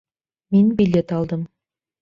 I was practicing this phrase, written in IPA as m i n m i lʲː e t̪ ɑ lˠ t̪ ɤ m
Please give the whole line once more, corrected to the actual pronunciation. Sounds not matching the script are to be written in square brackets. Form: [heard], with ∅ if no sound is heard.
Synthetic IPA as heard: m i n [b] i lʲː e t̪ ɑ lˠ [d̪] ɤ m